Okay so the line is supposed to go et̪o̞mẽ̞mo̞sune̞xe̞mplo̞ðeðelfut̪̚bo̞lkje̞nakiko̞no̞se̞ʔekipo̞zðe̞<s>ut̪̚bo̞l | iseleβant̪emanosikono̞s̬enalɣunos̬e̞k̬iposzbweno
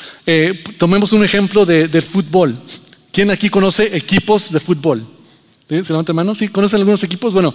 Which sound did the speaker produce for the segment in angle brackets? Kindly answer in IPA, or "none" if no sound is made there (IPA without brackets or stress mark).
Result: f